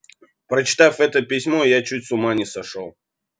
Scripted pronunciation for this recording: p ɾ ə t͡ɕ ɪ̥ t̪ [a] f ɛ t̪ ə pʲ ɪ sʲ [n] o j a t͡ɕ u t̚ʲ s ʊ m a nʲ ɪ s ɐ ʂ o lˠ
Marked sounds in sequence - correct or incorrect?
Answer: correct, incorrect: m

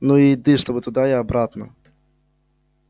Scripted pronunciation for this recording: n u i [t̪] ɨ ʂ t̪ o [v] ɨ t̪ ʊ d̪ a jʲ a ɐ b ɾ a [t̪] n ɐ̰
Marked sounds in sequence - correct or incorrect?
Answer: incorrect: d̪, incorrect: b, correct

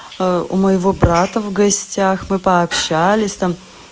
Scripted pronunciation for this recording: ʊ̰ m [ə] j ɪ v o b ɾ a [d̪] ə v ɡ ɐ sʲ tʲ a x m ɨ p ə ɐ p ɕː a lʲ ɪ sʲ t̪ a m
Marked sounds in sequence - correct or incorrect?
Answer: correct, incorrect: t̪

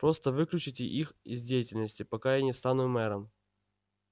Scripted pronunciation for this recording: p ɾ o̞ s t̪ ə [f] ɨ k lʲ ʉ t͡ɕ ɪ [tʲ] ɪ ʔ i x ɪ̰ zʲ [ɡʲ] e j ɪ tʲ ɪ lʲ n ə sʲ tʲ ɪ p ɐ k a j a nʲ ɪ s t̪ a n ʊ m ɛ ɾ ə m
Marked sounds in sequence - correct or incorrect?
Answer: incorrect: v, correct, incorrect: dʲ

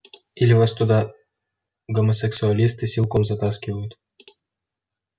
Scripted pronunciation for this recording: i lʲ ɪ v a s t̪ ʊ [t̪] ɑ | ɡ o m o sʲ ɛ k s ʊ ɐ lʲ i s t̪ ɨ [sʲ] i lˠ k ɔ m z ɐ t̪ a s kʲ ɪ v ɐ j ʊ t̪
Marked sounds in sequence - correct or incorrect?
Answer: incorrect: d̪, correct

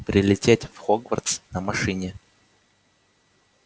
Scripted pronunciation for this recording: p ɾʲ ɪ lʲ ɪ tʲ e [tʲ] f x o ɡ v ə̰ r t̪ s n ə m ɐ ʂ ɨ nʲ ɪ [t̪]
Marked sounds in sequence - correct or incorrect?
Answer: correct, incorrect: none

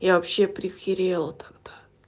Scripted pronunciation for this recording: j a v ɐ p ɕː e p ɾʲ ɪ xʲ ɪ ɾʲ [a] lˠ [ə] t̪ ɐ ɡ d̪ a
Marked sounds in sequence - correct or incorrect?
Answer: incorrect: e, correct

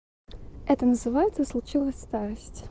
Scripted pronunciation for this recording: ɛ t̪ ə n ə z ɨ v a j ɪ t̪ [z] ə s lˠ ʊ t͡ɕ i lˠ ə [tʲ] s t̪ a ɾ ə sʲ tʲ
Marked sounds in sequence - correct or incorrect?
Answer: incorrect: s, incorrect: sʲ

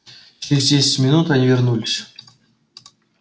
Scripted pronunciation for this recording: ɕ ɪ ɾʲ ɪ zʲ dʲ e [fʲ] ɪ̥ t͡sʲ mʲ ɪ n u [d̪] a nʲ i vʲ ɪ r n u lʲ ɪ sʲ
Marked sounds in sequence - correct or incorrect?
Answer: incorrect: sʲ, incorrect: t̪

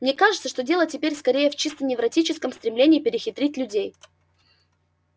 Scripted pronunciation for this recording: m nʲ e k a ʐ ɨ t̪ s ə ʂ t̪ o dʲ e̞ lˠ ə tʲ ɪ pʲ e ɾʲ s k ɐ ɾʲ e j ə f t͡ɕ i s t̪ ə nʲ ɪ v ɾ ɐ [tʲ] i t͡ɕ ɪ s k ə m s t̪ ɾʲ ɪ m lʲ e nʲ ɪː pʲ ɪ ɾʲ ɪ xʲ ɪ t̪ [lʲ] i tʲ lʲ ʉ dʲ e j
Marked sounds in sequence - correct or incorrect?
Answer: correct, incorrect: ɾʲ

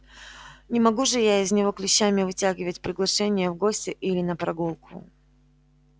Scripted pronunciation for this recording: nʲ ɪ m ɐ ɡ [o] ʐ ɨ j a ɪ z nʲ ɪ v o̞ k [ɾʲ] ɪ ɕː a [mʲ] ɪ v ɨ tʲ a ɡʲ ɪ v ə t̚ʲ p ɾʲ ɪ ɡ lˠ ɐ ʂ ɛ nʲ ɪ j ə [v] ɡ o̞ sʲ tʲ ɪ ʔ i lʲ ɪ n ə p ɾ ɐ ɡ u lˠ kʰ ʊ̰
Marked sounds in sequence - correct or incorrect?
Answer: incorrect: u, incorrect: lʲ, correct, correct

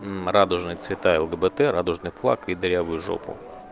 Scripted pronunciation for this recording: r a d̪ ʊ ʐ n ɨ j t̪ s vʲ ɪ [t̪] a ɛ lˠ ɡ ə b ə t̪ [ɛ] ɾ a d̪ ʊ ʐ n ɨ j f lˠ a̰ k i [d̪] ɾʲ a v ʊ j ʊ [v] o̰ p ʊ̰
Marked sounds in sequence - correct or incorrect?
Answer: correct, correct, correct, incorrect: ʐ

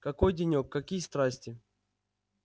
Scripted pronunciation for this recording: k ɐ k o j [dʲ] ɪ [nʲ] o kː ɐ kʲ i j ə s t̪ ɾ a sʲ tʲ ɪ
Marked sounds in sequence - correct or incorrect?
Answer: correct, correct

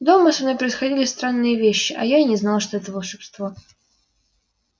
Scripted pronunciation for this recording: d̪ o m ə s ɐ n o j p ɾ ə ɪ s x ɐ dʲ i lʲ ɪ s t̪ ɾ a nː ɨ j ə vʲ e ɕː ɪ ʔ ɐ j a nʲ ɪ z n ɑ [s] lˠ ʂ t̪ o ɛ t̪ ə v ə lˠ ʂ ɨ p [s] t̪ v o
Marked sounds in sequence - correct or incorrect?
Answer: incorrect: none, correct

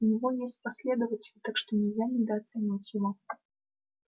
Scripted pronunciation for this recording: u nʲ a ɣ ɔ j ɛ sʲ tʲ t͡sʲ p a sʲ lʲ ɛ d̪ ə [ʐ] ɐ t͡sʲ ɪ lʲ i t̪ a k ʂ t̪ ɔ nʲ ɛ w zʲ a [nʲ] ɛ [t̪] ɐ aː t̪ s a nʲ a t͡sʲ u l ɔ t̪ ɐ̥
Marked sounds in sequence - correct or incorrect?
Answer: incorrect: v, correct, incorrect: d̪

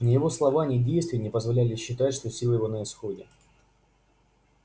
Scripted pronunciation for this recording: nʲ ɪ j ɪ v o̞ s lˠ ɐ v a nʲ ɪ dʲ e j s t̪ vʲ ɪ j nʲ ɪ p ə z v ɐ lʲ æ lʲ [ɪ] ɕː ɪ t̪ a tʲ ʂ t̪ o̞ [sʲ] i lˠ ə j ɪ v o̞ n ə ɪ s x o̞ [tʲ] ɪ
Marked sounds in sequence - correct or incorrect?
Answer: correct, correct, incorrect: dʲ

